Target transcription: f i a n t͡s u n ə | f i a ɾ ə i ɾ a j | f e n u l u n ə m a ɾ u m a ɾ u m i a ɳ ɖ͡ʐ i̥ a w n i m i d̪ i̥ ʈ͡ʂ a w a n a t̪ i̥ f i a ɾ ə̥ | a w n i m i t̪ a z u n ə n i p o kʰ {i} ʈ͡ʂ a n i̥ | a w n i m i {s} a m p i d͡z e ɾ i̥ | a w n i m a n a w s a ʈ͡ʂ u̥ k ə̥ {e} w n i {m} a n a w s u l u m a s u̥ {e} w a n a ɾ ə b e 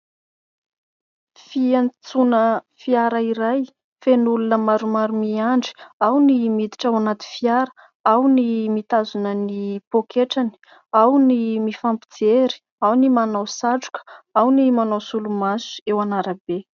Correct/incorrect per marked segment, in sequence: incorrect: e, incorrect: f, incorrect: a, correct, correct

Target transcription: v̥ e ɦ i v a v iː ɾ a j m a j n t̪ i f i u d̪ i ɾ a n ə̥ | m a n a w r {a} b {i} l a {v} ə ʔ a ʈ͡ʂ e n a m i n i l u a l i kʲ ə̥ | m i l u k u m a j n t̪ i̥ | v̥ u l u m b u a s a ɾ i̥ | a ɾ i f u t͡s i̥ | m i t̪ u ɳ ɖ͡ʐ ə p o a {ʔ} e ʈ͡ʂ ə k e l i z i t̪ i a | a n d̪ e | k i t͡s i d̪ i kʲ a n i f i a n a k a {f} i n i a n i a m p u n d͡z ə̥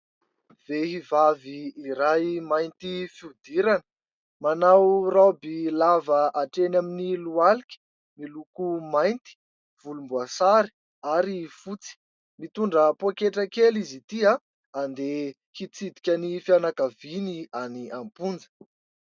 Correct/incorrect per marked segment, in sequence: correct, correct, correct, incorrect: k, incorrect: v

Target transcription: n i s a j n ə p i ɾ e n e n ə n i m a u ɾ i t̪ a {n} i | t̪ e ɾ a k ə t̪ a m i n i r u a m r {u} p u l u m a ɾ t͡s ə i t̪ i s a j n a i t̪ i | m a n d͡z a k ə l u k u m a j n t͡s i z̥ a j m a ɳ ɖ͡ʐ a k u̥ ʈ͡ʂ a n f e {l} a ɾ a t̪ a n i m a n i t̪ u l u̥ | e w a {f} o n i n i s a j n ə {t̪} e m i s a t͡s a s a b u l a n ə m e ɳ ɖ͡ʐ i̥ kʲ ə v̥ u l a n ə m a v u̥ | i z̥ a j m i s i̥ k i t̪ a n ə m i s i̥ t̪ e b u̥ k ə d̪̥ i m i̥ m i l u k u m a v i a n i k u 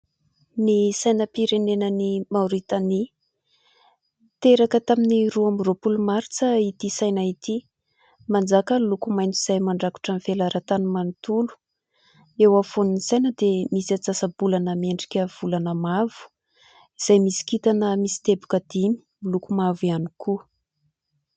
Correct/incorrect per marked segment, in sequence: correct, incorrect: o, correct, correct, incorrect: d̪

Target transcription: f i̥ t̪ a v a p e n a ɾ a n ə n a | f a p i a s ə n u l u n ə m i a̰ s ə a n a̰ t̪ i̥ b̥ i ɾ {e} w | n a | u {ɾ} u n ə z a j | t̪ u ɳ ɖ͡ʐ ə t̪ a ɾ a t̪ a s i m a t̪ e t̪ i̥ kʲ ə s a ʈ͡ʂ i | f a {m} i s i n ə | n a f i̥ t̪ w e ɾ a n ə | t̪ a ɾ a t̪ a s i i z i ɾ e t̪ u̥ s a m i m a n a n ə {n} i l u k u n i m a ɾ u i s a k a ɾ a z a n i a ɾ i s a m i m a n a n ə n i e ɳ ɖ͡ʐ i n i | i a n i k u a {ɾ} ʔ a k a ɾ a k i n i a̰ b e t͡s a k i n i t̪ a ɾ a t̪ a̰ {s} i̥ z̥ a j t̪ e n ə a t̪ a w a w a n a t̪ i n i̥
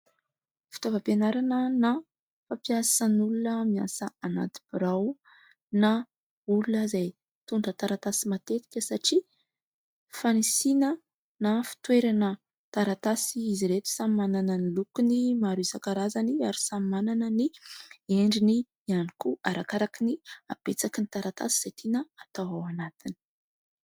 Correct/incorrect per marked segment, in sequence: incorrect: a, incorrect: l, incorrect: n, correct, correct, correct

